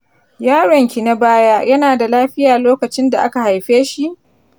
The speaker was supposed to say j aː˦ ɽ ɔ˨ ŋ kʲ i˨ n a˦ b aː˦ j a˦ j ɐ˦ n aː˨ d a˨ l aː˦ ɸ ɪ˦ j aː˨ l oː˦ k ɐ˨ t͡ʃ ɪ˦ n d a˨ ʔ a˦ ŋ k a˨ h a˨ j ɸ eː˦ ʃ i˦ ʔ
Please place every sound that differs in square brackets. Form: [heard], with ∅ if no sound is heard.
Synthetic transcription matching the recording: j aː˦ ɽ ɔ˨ ŋ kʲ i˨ n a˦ b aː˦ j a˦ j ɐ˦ n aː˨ d a˨ l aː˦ ɸ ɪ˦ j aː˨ l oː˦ k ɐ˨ t͡ʃ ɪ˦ n d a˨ ʔ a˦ [∅] k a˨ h a˨ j ɸ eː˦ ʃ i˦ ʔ